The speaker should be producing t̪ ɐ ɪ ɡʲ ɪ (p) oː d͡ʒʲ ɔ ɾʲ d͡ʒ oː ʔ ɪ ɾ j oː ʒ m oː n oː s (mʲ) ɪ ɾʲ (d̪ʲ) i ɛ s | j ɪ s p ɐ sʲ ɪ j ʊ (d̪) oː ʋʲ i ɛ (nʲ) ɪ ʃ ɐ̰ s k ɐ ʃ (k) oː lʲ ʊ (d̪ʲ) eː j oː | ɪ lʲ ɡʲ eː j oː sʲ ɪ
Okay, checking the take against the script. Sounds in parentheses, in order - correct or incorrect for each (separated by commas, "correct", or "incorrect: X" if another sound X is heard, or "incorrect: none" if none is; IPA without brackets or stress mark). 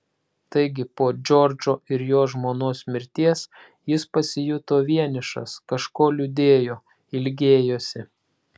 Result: correct, correct, incorrect: t̪ʲ, incorrect: t̪, correct, correct, correct